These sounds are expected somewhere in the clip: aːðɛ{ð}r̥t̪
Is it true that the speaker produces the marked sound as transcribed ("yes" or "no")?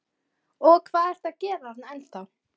no